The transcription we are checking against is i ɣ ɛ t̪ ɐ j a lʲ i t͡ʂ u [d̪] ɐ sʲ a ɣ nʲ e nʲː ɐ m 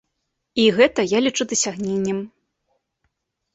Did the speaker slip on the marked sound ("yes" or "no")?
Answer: no